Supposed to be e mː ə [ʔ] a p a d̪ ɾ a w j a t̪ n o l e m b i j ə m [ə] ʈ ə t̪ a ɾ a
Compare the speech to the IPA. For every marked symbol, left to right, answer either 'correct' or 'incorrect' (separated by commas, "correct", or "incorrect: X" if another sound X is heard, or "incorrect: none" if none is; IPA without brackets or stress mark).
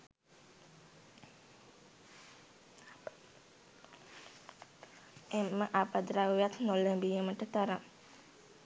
correct, correct